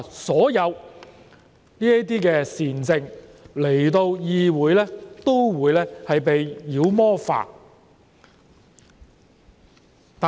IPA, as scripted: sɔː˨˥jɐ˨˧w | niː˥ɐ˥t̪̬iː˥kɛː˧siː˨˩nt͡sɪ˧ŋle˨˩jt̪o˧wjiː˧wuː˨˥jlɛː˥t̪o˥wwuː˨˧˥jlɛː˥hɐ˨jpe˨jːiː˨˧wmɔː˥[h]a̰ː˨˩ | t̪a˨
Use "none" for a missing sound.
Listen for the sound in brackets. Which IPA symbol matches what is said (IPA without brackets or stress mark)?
f